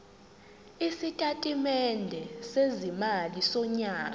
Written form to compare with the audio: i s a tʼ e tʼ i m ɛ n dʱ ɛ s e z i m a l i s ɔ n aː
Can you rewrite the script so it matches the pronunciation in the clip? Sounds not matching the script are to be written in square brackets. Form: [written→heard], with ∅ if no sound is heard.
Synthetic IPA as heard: i s [a→i] tʼ [e→a] tʼ i m ɛ n dʱ ɛ s e z i m a l i s ɔ [n→ɲ] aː

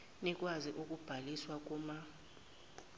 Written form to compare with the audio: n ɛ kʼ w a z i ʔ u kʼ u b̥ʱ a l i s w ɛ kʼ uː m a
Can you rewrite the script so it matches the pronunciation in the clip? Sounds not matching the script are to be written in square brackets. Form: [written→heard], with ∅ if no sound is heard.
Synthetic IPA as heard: n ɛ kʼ w a z i ʔ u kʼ u b̥ʱ a l i s w [ɛ→a] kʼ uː m a

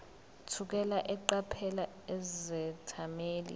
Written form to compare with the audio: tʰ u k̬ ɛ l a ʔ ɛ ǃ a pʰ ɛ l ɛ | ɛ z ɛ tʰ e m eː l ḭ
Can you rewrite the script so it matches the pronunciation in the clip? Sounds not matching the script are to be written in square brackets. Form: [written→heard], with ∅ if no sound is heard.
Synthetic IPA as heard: tʰ u k̬ ɛ l a ʔ ɛ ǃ a pʰ ɛ l [ɛ→a] | ɛ z ɛ tʰ [e→a] m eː l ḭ

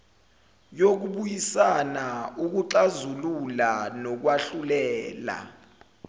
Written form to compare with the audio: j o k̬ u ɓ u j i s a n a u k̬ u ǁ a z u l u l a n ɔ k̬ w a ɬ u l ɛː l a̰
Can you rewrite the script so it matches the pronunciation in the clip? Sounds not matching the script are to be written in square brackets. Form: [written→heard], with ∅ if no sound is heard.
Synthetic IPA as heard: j o k̬ u ɓ u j i s a n a u k̬ u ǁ a z u l u l a n ɔ k̬ w a ɬ u l ɛː l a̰

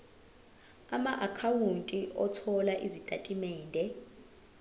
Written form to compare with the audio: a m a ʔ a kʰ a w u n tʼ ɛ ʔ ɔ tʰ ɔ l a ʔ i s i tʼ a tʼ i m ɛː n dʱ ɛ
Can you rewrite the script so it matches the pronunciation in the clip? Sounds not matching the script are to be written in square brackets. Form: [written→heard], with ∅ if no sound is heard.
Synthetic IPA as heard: a m a ʔ a kʰ a w u n tʼ [ɛ→i] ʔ ɔ tʰ ɔ l a ʔ i [s→z] i tʼ a tʼ i m ɛː n dʱ ɛ

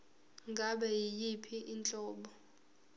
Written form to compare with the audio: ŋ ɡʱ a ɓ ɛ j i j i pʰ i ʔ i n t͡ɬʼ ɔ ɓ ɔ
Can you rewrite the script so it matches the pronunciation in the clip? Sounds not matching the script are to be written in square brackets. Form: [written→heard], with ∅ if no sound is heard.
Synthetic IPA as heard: ŋ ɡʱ a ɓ ɛ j i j i pʰ i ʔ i n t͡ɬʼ [ɔ→ɔː] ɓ ɔ

